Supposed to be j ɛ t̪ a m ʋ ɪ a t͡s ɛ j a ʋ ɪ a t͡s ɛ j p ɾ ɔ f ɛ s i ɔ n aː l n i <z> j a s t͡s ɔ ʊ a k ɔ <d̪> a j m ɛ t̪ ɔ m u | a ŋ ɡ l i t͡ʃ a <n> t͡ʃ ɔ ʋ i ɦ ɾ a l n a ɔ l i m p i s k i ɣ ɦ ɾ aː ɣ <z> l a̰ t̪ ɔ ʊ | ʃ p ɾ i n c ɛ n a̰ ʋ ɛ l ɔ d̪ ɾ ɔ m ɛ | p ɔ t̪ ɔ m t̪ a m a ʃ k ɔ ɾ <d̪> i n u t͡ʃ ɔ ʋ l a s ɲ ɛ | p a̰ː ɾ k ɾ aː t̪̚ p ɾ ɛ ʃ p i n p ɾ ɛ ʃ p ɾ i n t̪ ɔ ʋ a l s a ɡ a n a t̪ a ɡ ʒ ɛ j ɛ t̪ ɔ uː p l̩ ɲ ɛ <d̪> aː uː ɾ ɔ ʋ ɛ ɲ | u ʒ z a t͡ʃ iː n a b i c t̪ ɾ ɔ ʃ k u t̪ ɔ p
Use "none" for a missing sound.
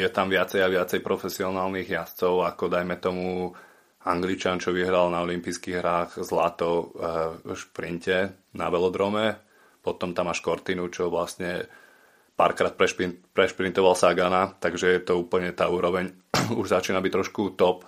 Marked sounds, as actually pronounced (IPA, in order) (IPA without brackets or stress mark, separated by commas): ɣ, d̪, n, z, t̪, t̪